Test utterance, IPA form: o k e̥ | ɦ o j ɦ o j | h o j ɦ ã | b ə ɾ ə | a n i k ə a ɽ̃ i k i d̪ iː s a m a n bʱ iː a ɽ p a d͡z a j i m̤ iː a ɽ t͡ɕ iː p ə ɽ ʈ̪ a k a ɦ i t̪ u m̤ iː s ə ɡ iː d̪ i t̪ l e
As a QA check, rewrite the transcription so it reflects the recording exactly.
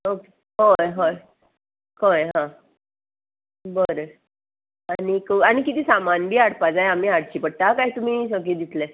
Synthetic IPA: o k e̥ | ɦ o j ɦ o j | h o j ɦ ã | b ə ɾ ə | a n i k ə a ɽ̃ i k i t̪ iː s a m a n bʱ iː a ɽ p a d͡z a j a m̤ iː a ɽ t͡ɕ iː p ə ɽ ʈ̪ a k a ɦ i t̪ u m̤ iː s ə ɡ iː d̪ i t̪ l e